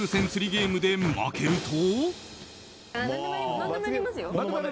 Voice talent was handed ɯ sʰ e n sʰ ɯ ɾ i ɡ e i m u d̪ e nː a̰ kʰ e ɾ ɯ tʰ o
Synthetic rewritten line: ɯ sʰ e n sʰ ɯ ɾ i ɡ e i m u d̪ e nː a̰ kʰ e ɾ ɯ tʰ o